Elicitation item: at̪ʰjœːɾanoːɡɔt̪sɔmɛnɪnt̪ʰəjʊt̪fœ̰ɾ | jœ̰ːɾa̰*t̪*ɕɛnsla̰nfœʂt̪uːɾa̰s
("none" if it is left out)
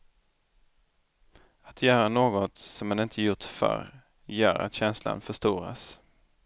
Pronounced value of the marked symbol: t̪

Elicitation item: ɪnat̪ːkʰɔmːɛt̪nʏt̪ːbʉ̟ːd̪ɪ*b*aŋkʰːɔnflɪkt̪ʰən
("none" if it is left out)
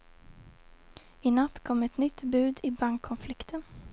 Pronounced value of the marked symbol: b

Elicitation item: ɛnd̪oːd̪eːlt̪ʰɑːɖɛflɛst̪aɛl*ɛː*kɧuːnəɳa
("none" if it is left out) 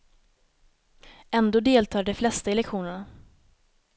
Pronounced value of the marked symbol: ɛ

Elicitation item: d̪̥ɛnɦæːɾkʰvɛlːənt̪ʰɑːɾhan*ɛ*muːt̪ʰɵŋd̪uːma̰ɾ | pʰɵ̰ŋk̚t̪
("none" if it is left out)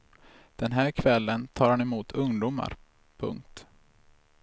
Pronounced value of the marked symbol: ɛ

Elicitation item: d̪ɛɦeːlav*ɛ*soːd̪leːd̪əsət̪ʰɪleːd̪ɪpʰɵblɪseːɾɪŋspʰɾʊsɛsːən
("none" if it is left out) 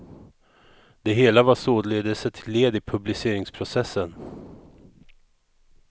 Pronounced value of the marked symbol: a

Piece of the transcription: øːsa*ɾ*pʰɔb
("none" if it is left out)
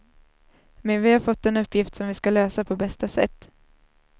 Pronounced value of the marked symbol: none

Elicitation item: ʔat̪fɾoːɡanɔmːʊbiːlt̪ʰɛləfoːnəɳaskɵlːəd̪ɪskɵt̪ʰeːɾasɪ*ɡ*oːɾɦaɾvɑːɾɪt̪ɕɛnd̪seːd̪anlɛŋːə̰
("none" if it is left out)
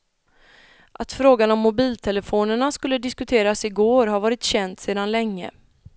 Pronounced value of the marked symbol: ɡ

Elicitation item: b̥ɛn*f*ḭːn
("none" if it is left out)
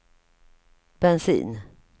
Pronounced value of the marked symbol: s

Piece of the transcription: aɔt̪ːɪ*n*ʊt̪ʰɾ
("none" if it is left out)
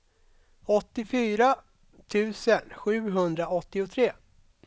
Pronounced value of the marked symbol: none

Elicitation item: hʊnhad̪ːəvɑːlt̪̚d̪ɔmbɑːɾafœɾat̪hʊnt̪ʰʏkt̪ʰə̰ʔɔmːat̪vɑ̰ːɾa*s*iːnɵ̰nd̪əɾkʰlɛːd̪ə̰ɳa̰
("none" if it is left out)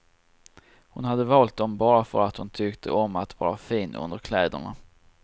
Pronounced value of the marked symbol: f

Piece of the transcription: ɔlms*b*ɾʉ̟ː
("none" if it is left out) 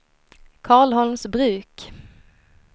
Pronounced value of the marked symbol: b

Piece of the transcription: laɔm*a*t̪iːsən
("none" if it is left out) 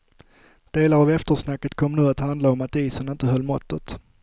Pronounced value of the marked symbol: a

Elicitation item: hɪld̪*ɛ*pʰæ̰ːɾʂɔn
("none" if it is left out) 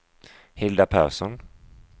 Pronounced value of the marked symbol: a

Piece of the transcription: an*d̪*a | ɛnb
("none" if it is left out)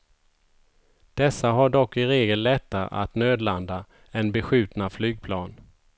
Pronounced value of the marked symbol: d̪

